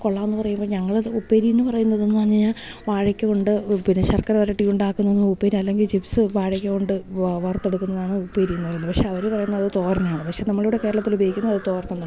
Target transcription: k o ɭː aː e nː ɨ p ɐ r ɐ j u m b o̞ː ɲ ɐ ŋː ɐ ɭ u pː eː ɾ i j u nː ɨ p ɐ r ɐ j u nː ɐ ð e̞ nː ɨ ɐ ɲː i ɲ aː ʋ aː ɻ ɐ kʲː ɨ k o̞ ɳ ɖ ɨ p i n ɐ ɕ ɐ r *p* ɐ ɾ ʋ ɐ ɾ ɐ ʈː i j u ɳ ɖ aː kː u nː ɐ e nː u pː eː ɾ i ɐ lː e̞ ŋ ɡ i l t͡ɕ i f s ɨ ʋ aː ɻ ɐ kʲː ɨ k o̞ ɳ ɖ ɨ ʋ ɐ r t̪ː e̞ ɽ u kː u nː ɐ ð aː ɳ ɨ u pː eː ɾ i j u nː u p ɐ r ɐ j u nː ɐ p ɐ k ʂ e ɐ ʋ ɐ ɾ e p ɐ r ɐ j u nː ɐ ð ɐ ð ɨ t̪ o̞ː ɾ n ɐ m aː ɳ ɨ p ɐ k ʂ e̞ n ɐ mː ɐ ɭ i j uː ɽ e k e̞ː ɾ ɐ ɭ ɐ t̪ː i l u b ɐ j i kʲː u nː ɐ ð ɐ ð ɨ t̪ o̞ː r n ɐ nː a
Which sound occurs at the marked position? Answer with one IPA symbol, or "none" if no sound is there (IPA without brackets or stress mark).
k